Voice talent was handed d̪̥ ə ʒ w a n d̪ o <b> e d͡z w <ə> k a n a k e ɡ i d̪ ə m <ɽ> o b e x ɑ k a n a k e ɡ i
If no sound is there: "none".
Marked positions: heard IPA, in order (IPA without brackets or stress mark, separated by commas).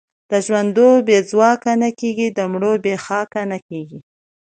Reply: b, ɑ, ɽ